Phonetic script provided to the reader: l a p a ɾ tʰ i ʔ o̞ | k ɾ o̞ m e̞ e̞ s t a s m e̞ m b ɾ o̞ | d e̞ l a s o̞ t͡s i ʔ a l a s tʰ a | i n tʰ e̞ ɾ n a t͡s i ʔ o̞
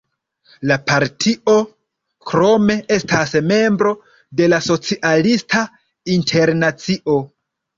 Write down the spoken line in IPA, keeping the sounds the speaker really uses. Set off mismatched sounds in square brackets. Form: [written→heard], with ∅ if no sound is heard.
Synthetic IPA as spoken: l a p a ɾ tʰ i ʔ o̞ | k ɾ o̞ m e̞ e̞ s t a s m e̞ m b ɾ o̞ | d e̞ l a s o̞ t͡s i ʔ a l [a→i] s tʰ a | i n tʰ e̞ ɾ n a t͡s i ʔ o̞

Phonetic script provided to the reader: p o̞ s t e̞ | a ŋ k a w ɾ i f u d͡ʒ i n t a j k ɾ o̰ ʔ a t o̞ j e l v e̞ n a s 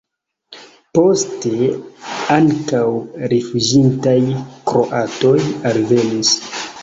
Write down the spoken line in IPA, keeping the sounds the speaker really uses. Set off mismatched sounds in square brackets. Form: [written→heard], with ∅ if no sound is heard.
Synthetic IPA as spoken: p o̞ s t e̞ | a ŋ k a w ɾ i f u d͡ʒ i n t a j k ɾ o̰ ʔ a t o̞ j [e→a] l v e̞ n [a→i] s

